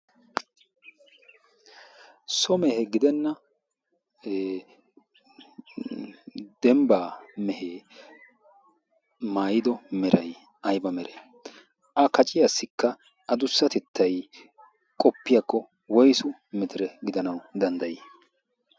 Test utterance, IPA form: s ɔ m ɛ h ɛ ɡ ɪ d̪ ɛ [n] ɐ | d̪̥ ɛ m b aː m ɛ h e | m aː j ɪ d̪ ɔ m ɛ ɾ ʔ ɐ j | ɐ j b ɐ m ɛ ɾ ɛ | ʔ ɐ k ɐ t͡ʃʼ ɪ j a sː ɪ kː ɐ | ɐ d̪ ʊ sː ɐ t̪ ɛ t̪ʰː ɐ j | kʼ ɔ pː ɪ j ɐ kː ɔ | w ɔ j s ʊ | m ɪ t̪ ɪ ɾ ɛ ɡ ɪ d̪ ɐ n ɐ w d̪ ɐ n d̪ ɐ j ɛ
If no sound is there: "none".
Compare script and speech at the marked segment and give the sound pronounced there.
nː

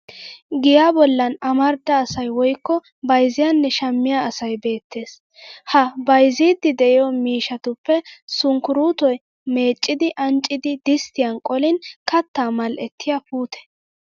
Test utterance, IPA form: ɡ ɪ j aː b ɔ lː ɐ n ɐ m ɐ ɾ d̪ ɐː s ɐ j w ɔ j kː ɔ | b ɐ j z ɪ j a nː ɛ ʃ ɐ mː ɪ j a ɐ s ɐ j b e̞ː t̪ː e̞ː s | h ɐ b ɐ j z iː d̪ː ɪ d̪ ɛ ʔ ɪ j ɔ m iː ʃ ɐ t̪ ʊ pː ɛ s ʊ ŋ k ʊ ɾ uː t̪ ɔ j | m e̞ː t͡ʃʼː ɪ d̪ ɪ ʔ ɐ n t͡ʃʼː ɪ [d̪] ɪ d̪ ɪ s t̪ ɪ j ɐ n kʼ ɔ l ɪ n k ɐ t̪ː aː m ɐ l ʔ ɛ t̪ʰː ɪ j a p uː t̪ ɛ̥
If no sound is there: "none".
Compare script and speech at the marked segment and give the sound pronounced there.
d̪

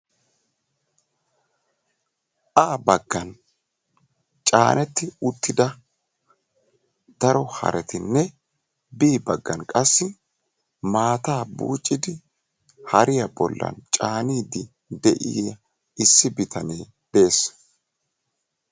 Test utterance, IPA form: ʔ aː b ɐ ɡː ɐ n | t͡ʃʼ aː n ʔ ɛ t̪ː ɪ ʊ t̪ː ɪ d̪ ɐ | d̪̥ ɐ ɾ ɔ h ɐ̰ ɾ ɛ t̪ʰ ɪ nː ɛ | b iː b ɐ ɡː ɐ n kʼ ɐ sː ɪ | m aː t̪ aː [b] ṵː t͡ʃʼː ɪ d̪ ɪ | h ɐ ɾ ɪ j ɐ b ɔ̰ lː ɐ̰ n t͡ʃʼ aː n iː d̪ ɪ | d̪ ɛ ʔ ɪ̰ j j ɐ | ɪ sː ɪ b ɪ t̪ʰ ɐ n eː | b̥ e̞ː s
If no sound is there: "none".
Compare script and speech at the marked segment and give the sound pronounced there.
b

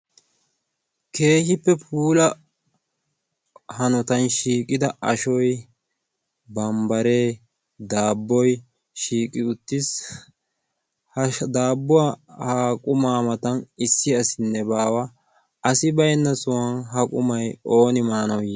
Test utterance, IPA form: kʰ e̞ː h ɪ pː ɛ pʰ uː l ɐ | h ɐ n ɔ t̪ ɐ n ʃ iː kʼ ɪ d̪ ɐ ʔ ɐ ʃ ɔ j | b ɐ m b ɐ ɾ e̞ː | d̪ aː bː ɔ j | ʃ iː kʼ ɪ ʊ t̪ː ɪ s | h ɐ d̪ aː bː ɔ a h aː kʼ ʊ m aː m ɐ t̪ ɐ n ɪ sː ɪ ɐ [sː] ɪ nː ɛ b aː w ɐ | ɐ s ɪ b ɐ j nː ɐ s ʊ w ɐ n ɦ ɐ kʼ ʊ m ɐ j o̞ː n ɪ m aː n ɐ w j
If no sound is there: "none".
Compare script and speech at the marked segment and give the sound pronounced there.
s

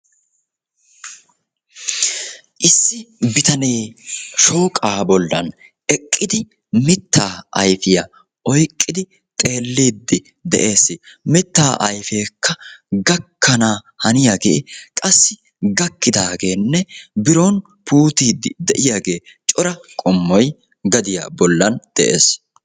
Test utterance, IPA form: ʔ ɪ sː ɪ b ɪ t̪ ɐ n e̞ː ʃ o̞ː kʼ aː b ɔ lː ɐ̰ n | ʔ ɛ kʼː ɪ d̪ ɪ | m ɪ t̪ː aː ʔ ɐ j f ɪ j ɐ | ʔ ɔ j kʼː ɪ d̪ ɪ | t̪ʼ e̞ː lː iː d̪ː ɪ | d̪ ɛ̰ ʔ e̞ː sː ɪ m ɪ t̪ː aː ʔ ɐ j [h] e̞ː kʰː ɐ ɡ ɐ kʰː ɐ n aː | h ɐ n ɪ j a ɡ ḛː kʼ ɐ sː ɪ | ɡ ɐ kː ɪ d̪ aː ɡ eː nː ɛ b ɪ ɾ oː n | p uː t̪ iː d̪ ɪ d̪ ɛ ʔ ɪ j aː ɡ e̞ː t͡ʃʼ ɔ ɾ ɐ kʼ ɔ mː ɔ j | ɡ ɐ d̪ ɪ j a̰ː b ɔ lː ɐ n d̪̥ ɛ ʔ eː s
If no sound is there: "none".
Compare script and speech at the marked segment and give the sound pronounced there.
f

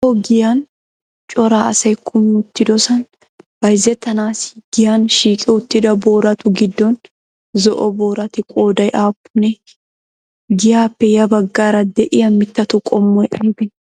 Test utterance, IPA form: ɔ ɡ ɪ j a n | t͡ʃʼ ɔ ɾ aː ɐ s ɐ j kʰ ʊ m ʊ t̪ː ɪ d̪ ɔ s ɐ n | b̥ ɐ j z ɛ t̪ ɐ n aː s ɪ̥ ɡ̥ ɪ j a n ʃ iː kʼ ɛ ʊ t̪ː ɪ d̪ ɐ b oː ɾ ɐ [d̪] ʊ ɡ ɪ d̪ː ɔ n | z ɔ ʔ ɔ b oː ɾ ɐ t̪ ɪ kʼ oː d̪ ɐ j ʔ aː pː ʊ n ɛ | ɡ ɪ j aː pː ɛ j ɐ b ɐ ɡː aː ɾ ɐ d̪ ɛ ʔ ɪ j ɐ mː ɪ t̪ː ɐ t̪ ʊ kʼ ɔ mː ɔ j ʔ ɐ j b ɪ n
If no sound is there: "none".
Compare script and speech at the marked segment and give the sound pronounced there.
t̪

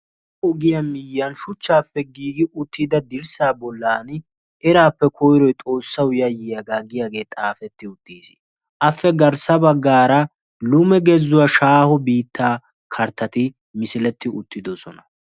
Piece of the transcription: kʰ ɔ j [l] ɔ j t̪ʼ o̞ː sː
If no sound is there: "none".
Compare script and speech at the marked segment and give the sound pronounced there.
ɾ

